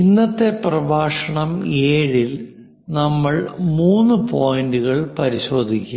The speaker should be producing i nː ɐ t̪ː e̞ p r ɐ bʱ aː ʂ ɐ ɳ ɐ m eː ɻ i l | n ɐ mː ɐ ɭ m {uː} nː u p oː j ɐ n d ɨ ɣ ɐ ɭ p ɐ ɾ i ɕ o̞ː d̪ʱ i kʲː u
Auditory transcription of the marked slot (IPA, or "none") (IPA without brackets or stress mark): uː